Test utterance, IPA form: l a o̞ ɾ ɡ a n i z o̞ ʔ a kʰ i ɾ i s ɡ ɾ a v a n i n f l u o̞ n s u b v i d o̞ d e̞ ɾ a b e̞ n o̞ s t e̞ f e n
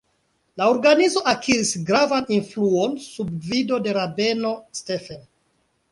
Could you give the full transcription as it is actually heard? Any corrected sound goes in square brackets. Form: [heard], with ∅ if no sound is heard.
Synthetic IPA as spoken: l a o̞ ɾ ɡ a n i z o̞ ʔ a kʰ i ɾ i s ɡ ɾ a v a n i n f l u o̞ n s u b v i d o̞ d e̞ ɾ a b e̞ n o̞ s t e̞ f e n